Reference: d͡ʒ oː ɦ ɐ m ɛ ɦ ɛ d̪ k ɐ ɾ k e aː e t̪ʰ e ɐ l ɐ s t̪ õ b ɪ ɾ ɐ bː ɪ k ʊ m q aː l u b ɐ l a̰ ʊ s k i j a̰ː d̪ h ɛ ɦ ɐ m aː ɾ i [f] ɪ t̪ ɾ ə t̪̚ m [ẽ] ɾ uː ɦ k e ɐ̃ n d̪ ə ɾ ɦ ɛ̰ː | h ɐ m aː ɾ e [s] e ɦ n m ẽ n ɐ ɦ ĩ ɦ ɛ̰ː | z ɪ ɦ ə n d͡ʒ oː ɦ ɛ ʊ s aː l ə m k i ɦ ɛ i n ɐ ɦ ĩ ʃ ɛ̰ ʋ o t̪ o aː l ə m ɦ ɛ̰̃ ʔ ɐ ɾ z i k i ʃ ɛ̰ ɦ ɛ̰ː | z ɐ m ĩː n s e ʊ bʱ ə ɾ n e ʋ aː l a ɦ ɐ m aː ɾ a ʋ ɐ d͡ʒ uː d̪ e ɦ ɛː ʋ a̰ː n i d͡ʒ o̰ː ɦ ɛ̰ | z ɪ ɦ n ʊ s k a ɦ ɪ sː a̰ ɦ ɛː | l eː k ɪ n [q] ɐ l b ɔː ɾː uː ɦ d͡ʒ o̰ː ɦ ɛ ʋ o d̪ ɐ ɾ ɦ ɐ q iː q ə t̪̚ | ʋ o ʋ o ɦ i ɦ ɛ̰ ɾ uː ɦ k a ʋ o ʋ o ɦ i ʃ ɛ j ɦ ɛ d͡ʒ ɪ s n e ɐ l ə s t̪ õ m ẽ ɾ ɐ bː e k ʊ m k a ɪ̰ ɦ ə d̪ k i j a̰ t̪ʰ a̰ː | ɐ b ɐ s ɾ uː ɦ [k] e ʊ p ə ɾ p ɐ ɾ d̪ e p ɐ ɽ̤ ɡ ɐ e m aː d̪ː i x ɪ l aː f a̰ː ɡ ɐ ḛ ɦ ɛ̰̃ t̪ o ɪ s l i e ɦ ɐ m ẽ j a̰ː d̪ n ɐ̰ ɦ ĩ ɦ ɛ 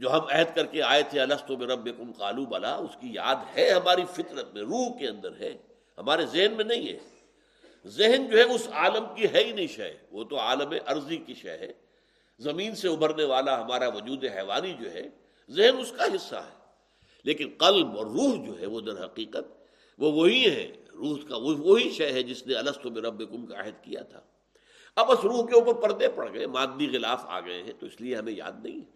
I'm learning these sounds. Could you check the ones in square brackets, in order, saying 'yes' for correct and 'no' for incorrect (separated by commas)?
yes, yes, no, yes, yes